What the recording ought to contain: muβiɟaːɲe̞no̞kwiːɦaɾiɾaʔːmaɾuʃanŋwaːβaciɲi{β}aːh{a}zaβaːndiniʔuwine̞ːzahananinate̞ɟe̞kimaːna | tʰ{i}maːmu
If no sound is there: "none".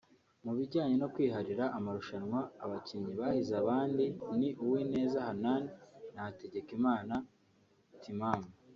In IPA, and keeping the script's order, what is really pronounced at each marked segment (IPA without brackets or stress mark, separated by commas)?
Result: β, i, i